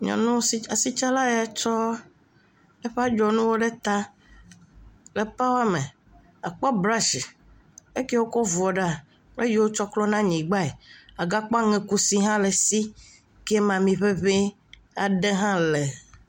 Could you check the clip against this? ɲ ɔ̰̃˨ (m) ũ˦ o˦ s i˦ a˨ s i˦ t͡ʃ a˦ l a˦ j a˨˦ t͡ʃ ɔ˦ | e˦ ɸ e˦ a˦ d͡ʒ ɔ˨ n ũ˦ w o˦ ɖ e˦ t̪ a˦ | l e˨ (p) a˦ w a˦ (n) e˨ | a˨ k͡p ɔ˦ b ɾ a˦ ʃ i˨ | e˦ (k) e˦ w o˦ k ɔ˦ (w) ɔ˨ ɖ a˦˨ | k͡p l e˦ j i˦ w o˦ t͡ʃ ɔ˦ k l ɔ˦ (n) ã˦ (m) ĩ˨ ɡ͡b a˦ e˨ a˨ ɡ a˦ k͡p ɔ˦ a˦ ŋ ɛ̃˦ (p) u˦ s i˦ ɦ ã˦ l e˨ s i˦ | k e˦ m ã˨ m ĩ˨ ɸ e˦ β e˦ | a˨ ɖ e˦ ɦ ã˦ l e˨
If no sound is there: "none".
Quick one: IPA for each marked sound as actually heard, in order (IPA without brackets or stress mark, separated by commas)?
n, p, m, k, v, n, ɲ, k